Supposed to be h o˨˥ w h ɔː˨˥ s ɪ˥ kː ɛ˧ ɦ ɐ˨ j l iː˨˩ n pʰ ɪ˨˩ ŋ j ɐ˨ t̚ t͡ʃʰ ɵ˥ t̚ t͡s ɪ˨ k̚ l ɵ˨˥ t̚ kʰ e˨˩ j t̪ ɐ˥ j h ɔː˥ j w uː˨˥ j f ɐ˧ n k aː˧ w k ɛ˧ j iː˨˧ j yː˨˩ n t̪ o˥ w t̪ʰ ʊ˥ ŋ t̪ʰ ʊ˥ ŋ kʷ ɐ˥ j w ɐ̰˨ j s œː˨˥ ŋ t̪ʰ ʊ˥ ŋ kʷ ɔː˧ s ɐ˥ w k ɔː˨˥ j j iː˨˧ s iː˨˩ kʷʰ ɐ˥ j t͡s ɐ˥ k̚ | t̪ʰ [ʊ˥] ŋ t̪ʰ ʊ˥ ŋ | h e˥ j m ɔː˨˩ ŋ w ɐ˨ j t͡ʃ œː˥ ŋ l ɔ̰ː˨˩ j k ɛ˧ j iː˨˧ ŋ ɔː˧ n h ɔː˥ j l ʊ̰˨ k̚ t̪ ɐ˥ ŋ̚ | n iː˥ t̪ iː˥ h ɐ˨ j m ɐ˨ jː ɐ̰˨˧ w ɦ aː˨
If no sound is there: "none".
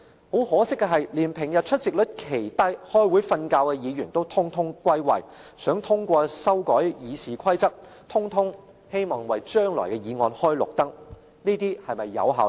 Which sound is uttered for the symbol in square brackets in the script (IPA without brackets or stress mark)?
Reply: ʊ˥